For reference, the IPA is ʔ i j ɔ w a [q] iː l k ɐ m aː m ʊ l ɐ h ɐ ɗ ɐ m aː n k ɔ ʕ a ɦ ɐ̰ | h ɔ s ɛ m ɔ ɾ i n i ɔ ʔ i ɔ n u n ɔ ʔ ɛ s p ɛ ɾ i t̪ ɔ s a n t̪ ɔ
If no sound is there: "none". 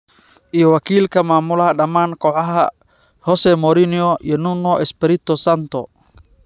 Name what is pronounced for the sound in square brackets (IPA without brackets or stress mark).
k